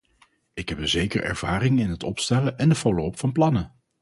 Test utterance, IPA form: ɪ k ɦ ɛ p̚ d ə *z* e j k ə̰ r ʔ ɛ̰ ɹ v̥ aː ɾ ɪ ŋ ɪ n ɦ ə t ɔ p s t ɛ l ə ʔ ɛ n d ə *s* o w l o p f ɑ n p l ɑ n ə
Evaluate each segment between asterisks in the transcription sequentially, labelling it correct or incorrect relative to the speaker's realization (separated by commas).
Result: correct, incorrect